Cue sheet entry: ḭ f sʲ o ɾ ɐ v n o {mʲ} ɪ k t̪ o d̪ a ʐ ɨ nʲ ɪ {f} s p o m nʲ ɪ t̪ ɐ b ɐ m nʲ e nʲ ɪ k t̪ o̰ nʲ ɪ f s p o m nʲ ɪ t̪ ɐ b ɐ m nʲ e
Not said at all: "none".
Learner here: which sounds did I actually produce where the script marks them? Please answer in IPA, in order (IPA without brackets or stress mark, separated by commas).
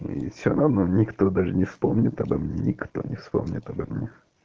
nʲ, f